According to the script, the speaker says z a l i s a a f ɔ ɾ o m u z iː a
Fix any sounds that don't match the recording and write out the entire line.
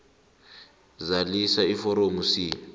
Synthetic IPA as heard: z a l i s a i f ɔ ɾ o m u s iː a